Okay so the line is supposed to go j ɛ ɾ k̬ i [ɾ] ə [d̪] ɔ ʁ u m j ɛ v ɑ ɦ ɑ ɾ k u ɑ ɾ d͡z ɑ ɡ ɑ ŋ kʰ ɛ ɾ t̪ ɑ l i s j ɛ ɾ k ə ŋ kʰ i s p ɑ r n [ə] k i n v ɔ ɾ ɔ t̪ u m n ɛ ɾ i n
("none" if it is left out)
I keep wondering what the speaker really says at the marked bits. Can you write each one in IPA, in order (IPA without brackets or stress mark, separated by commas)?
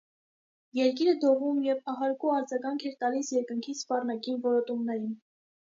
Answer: ɾ, d̪, ɑ